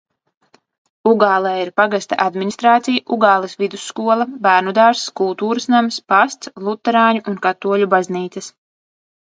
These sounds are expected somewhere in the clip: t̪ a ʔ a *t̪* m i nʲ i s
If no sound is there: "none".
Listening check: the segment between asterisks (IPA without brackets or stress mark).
d̪